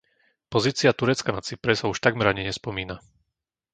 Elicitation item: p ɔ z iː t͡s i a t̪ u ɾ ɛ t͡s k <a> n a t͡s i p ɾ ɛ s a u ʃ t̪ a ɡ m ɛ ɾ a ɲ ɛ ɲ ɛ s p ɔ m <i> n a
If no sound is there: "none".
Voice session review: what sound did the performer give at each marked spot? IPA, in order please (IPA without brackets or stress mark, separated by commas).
a, iː